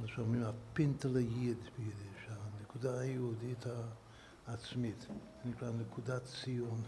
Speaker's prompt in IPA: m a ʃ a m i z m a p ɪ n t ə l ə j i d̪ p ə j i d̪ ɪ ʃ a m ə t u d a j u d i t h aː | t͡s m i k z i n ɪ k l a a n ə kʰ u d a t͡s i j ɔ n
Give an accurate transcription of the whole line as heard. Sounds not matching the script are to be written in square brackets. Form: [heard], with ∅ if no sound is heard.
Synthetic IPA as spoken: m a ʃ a m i [∅] m a p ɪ n t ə l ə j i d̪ [b] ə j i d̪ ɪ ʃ a [n] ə [k] u d a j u d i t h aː | t͡s m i [t] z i n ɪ k l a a n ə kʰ u d a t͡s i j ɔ n